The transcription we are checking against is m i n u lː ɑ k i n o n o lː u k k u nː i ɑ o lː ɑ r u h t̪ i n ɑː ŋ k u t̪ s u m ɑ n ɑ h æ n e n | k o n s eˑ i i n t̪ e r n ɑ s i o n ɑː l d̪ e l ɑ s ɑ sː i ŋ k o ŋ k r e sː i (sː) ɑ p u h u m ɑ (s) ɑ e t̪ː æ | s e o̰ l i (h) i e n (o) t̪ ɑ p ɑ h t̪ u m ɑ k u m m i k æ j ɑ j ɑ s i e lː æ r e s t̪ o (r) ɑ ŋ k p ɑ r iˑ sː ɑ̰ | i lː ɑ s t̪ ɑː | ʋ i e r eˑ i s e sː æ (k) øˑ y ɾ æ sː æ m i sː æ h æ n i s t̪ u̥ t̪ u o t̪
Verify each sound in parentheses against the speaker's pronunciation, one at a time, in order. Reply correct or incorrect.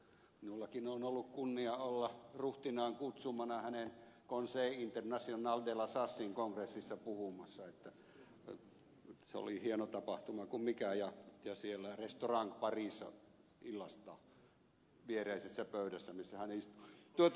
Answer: correct, incorrect: sː, correct, correct, correct, incorrect: p

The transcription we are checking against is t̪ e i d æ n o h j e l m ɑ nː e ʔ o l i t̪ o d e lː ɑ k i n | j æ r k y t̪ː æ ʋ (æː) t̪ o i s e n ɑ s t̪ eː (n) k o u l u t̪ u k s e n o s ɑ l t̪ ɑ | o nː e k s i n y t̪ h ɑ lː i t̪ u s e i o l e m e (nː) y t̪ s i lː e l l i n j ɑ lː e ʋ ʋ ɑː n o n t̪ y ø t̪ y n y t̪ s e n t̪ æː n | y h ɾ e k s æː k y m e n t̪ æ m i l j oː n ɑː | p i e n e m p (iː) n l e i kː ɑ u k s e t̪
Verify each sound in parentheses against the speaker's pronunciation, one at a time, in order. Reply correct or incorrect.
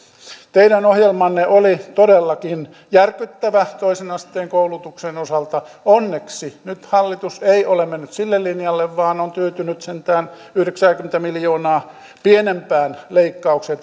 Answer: incorrect: æ, incorrect: ŋ, correct, incorrect: æː

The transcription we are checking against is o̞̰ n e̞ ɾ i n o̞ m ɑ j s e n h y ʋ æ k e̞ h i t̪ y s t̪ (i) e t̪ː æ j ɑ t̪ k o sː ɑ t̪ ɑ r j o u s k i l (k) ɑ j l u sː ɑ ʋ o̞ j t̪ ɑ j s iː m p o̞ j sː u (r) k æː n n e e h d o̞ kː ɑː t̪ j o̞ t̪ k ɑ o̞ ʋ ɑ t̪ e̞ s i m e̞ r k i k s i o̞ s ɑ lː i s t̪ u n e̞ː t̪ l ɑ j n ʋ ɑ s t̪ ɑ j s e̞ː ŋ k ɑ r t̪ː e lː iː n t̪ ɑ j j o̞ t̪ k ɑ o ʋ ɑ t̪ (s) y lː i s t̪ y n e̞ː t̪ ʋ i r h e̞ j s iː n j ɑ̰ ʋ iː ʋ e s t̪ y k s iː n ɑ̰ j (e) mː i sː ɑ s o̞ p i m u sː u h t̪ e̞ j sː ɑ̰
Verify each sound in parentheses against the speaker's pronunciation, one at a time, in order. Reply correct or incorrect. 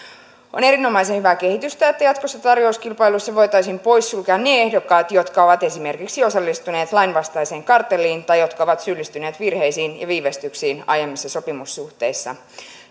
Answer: incorrect: æ, incorrect: p, incorrect: l, correct, correct

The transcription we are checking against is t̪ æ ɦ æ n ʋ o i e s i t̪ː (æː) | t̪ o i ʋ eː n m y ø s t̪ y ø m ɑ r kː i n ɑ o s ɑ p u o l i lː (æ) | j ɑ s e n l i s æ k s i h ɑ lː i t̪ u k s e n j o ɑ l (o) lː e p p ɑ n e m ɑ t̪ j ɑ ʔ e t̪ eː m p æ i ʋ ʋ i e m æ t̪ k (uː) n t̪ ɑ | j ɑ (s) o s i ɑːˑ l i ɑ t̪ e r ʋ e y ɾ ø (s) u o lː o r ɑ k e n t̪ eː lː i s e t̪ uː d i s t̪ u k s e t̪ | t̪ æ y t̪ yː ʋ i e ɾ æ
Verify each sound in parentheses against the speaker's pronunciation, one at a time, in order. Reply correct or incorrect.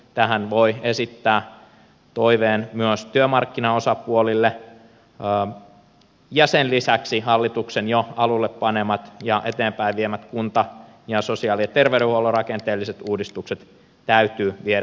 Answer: correct, incorrect: e, incorrect: u, incorrect: u, correct, incorrect: h

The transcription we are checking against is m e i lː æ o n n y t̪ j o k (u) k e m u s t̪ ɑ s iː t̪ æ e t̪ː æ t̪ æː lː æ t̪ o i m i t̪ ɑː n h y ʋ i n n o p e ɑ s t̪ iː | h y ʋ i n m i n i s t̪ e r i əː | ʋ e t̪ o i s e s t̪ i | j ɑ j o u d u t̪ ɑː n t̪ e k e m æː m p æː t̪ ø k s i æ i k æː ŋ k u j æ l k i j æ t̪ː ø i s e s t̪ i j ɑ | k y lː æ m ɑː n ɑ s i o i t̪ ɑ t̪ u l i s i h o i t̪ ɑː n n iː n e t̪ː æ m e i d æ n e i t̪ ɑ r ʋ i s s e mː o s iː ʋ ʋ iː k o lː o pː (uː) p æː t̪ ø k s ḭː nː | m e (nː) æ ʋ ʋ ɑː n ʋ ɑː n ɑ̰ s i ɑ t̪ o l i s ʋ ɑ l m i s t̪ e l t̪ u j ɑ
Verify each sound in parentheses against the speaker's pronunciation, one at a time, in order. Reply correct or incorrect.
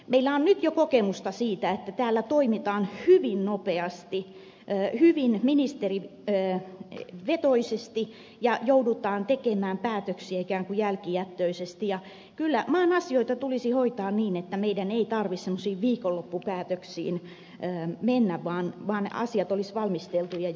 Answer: incorrect: o, incorrect: u, correct

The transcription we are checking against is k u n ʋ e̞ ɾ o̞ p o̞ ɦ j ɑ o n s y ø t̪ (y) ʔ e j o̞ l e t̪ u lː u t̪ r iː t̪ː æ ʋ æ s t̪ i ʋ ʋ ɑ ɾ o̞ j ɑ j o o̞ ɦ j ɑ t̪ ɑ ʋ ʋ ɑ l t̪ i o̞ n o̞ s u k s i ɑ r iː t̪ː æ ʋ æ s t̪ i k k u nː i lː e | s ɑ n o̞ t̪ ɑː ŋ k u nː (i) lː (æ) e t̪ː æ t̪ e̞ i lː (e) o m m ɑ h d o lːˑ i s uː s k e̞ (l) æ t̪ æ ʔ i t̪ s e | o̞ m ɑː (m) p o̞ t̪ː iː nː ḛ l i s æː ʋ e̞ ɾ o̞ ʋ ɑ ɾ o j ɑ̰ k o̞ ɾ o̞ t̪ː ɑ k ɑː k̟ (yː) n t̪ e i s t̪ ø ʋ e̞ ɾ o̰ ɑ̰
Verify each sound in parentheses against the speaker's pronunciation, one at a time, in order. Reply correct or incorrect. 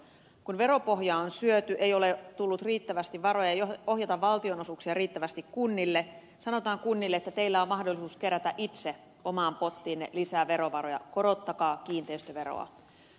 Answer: correct, correct, incorrect: e, incorrect: æ, incorrect: ɾ, correct, incorrect: iː

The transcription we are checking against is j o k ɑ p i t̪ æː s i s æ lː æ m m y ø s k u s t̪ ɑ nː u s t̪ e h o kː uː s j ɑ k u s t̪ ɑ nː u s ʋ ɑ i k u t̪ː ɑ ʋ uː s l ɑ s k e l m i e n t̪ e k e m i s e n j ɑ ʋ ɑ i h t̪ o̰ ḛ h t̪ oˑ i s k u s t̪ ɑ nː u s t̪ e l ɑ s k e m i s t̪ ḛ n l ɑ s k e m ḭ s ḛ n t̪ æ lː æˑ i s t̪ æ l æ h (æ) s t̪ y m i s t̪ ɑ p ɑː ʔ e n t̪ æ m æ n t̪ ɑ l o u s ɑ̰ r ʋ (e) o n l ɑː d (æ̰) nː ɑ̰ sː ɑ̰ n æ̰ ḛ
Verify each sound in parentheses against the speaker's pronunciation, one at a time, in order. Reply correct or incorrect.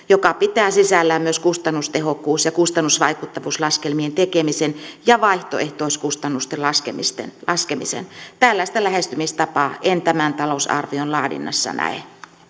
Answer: incorrect: e, incorrect: i, incorrect: ḭ

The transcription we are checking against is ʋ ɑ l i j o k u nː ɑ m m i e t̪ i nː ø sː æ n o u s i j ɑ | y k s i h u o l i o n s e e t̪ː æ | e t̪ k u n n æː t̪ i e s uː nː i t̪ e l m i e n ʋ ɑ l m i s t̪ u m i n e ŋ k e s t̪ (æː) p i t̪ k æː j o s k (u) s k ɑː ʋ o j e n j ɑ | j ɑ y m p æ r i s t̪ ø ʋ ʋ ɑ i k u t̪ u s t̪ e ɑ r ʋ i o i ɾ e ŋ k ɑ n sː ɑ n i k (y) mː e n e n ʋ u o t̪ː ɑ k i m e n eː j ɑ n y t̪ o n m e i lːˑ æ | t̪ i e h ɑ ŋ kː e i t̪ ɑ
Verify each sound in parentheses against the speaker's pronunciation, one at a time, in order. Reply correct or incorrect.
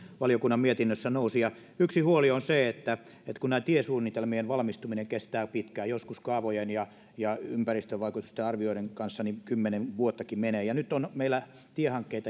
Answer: correct, correct, correct

